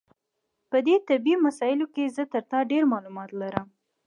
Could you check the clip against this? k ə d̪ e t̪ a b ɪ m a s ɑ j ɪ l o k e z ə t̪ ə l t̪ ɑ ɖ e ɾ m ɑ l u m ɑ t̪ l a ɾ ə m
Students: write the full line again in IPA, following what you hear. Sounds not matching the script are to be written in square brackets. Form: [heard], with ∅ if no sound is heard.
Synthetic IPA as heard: [p] ə d̪ e t̪ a b [i] m a s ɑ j ɪ l o k e z ə t̪ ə [ɾ] t̪ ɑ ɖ e ɾ m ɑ l u m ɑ t̪ l a ɾ ə m

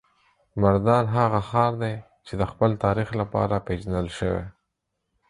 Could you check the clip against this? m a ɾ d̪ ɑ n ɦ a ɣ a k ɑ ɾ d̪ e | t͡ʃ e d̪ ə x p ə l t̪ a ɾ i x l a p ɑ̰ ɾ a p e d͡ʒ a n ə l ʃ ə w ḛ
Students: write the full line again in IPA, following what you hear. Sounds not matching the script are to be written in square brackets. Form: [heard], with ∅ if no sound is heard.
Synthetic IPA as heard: m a ɾ d̪ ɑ n ɦ a ɣ a [x] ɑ ɾ d̪ e | t͡ʃ e d̪ ə x p ə l t̪ [ɑ] ɾ i x l a p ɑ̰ ɾ a p e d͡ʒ a n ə l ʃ ə w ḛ

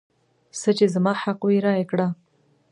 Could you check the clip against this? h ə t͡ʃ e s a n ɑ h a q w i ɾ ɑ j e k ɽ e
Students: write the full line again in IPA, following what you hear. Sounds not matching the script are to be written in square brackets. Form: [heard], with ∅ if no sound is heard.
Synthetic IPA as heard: [s] ə t͡ʃ e [z] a [m] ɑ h a q w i ɾ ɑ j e k ɽ [a]

